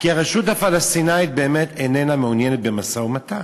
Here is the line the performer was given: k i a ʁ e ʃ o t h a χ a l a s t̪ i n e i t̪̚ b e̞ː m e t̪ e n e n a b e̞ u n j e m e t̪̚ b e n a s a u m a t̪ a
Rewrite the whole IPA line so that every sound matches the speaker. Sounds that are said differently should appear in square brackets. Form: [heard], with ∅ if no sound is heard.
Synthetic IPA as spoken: k i a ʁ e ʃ [u] t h a [f] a l a s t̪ i n [a] i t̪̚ b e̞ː m e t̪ e n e n a [m] e̞ u n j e [n] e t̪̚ b e [m] a s a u m a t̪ a